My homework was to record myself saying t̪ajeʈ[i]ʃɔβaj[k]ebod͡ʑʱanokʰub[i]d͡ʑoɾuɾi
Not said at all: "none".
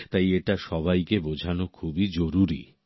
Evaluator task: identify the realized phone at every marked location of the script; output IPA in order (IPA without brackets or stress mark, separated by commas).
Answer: a, k, i